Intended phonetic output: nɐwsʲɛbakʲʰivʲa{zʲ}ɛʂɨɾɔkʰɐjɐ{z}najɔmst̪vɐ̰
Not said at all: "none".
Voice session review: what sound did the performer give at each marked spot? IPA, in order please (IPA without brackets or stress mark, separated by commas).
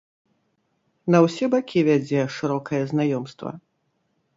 d͡zʲ, z